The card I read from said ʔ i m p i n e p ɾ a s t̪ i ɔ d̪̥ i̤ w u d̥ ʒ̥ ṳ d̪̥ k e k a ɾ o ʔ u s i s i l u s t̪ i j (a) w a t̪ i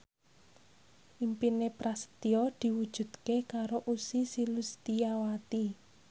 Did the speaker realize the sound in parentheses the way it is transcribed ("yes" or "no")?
yes